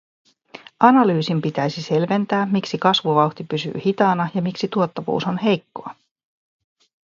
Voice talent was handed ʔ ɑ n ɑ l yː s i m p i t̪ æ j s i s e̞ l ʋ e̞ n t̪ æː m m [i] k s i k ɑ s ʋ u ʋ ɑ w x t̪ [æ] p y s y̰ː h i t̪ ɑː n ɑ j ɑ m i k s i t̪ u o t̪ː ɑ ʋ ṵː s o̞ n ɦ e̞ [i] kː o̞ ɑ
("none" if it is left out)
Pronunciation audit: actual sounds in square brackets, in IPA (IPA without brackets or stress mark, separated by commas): i, i, j